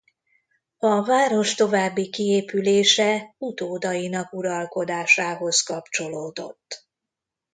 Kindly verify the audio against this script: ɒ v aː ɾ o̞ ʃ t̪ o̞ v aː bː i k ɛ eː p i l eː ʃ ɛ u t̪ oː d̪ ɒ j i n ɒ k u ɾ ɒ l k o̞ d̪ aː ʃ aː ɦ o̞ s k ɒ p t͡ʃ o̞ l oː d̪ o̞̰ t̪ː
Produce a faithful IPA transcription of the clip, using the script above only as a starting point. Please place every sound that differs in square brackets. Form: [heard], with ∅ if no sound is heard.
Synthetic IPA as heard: ɒ v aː ɾ o̞ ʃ t̪ o̞ v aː bː i k [i] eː p [y] l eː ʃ ɛ u t̪ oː d̪ ɒ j i n ɒ k u ɾ ɒ l k o̞ d̪ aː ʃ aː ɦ o̞ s k ɒ p t͡ʃ o̞ l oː d̪ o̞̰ t̪ː